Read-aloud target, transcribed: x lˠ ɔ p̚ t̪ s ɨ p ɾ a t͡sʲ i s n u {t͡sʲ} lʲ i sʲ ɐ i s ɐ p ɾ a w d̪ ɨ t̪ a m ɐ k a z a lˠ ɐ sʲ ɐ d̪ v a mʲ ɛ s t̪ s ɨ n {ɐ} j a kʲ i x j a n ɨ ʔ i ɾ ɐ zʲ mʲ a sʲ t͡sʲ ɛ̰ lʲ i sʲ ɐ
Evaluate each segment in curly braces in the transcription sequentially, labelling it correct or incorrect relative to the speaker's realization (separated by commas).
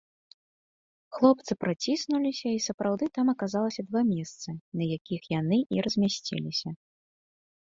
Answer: incorrect, correct